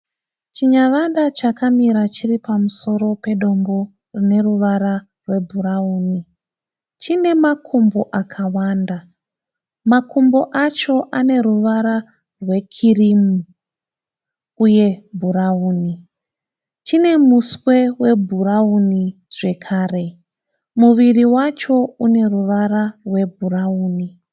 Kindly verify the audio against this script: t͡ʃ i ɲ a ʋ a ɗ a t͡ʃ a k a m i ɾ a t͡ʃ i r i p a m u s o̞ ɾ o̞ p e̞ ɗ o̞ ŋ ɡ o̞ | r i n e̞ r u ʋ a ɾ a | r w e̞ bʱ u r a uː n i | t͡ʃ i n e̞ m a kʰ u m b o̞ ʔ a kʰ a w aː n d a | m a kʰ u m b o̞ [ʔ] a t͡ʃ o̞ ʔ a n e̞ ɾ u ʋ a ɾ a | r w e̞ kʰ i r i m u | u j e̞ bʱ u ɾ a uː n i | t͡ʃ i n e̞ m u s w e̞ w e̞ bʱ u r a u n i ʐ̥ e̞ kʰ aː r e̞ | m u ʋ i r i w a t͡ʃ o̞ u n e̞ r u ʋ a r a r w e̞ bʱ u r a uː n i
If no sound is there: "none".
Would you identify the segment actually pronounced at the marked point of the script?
ʔ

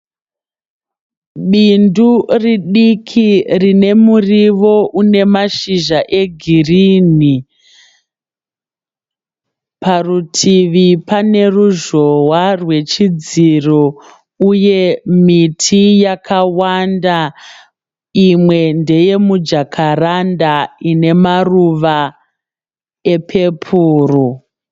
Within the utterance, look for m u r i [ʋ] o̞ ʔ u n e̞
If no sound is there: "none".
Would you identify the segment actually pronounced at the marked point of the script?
ʋ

